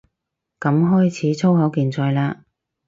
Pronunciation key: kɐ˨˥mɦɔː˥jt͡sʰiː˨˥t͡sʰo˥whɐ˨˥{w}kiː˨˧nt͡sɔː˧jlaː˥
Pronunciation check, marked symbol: correct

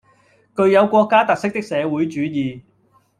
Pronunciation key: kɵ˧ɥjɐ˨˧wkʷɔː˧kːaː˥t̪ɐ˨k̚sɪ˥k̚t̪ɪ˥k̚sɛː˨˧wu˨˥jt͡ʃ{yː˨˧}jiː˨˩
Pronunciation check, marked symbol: correct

